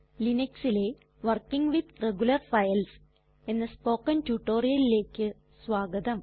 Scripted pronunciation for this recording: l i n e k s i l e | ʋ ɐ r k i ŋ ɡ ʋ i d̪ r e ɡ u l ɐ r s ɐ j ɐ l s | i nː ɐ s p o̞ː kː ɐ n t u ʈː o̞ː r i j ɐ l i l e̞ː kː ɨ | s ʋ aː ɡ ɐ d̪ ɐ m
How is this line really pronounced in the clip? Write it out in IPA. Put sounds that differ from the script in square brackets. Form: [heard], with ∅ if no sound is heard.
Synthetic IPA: l i n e k s i l e | ʋ ɐ r k i ŋ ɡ ʋ i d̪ r e ɡ u l ɐ r [f] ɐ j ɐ l s | [e] nː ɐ s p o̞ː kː ɐ n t u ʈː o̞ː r i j ɐ l i l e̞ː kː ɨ | s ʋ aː ɡ ɐ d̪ ɐ m